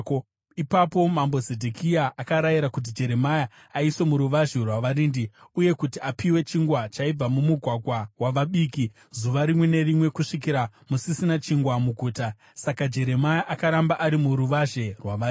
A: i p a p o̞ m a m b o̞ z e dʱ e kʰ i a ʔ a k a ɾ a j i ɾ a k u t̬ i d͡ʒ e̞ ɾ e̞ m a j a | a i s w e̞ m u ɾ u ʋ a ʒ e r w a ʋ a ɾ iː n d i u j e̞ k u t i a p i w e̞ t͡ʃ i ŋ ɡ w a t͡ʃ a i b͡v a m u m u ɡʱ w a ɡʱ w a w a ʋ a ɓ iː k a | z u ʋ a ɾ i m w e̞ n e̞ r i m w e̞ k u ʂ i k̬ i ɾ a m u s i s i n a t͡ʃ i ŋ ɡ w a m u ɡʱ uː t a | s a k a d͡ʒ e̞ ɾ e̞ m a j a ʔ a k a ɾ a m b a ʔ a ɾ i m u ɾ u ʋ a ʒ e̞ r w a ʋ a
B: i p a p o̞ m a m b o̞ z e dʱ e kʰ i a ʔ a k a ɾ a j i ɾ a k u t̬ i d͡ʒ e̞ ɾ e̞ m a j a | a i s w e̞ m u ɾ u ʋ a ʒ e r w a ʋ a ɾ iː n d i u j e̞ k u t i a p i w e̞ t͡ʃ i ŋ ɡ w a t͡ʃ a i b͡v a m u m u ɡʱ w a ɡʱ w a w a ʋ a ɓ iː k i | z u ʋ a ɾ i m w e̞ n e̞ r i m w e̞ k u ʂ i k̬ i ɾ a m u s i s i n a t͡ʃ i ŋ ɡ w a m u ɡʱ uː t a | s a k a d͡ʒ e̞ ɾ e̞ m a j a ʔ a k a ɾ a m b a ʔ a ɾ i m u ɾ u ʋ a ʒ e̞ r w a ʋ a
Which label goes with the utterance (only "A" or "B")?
B